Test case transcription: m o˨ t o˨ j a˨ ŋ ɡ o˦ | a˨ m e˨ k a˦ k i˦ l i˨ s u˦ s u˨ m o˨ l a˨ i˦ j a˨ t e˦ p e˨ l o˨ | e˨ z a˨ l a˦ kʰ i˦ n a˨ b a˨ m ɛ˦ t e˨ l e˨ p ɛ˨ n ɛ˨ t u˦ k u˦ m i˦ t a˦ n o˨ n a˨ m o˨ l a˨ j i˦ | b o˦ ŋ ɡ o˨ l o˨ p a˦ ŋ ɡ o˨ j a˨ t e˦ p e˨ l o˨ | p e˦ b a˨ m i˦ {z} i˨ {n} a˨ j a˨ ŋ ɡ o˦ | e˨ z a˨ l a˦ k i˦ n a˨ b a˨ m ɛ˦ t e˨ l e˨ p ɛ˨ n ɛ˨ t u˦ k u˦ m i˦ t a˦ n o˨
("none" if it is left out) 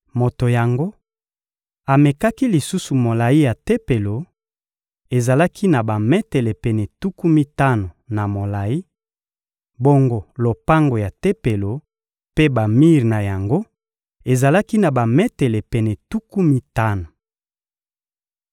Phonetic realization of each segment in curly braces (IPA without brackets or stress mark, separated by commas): ʁ, n